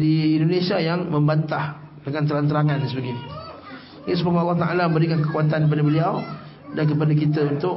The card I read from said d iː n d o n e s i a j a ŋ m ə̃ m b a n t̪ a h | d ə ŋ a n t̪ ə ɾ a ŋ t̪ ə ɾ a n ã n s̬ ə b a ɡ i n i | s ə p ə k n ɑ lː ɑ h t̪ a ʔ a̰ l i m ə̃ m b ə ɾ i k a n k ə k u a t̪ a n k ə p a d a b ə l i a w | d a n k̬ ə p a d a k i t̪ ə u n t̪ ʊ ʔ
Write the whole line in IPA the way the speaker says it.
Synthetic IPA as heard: d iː n d o n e s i a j a ŋ m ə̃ m b a n t̪ a h | d ə ŋ a n t̪ ə ɾ a n t̪ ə ɾ a ŋ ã n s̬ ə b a ɡ i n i | s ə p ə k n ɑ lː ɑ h t̪ a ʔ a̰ l a m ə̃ m b ə ɾ i k a n k ə k u a t̪ a n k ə p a d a b ə l i a w | d a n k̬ ə p a d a k i t̪ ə u n t̪ ʊ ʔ